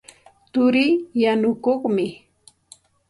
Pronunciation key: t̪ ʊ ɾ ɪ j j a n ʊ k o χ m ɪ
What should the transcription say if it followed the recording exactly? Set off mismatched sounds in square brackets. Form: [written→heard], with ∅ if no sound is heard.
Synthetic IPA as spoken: t̪ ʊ ɾ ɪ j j a n ʊ k o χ m ɪ